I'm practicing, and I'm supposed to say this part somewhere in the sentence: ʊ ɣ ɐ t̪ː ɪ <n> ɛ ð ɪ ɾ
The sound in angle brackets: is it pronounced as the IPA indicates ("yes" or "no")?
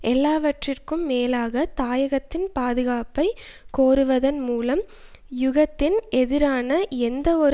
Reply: yes